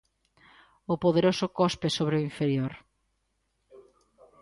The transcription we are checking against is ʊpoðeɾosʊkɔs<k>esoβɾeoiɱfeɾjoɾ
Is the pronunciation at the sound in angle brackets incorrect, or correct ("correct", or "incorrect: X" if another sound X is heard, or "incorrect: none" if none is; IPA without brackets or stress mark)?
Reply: incorrect: p